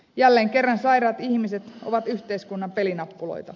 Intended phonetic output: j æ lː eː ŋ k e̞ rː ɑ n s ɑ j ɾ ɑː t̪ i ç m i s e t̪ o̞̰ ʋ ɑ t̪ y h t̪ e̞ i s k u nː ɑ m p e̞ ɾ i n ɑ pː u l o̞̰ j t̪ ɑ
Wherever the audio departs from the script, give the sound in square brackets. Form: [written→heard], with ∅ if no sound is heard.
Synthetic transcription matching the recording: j æ lː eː ŋ k e̞ rː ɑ n s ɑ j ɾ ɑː t̪ i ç m i s e t̪ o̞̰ ʋ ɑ t̪ y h t̪ e̞ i s k u nː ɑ m p e̞ [ɾ→l] i n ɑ pː u l o̞̰ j t̪ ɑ